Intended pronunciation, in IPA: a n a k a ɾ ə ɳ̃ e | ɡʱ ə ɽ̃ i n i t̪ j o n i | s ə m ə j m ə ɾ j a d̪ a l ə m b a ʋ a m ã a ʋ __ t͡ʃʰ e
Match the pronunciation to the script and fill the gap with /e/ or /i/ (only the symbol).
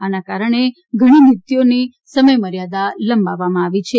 i